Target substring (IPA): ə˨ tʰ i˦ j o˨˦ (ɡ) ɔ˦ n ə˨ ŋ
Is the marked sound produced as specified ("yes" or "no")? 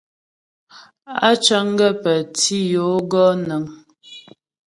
yes